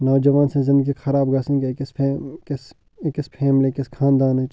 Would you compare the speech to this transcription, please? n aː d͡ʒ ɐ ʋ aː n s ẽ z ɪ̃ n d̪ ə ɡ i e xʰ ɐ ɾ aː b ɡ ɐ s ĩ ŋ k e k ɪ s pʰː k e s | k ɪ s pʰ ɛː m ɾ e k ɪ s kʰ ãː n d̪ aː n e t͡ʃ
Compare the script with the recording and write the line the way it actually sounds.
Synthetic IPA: n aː d͡ʒ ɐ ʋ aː n s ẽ z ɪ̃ n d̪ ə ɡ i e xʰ ɐ ɾ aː b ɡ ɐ s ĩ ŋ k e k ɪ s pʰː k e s | k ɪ s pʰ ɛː m l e k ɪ s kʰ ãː n d̪ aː n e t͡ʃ